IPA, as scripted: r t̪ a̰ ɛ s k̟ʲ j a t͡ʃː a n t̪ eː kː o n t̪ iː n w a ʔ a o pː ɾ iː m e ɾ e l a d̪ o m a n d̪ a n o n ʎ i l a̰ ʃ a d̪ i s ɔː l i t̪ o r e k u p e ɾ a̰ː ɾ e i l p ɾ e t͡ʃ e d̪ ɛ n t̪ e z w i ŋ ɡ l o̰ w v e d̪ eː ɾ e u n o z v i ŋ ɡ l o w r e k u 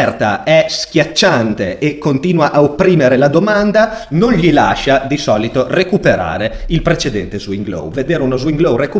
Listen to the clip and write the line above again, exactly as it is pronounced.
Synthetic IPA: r t̪ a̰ ɛ s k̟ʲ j a t͡ʃː a n t̪ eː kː o n t̪ iː n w a ʔ a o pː ɾ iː m e ɾ e l a d̪ o m a n d̪ a n o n ʎ i l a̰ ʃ a d̪ i s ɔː l i t̪ o r e k u p e ɾ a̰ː ɾ e i l p ɾ e t͡ʃ e d̪ ɛ n t̪ e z w i ŋ ɡ l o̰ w v e d̪ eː ɾ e u n o z w i ŋ ɡ l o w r e k u